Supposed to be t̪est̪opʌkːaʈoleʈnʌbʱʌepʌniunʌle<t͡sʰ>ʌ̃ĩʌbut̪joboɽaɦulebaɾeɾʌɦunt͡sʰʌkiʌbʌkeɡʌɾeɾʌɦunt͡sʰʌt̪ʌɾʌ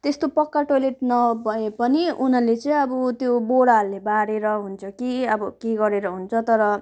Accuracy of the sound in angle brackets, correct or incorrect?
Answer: incorrect